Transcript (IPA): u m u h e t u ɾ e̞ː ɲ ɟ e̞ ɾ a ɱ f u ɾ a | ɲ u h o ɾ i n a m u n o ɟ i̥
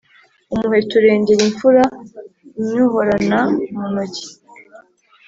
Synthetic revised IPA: u m u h e t u ɾ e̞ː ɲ ɟ e̞ ɾ i ɱ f u ɾ a | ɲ u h o ɾ a n a m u n o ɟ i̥